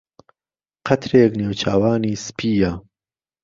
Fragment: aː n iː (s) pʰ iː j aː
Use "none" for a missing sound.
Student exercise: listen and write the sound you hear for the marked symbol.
s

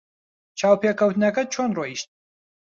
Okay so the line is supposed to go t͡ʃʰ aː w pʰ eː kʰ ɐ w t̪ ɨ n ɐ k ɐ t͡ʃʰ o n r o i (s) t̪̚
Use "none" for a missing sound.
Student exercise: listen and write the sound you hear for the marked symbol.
ʃ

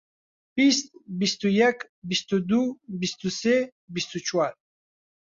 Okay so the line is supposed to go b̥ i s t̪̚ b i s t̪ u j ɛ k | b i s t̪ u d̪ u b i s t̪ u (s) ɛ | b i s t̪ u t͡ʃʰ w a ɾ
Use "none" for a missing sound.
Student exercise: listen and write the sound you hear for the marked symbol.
s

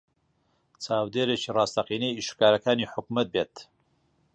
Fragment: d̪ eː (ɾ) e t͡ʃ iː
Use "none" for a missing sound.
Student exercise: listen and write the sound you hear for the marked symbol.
ɾ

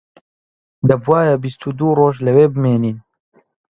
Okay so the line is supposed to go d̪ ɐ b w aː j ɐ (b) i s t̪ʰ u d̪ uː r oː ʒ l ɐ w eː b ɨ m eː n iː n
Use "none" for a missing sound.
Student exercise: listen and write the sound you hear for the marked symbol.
b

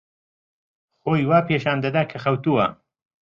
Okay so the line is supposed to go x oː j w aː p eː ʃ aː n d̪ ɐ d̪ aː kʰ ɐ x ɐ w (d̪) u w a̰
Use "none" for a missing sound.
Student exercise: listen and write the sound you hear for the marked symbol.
t̪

